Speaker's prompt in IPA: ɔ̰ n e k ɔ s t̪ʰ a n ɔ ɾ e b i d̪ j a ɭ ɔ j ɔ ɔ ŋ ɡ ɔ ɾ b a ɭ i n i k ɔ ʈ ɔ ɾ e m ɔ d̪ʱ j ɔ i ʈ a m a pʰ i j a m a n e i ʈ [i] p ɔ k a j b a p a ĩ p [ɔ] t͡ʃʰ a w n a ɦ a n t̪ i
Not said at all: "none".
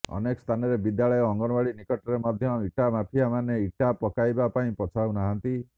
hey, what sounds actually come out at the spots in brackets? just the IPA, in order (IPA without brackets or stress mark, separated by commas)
a, ɔ